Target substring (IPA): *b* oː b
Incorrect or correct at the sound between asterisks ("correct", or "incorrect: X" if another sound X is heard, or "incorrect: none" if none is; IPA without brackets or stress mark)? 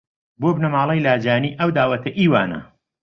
correct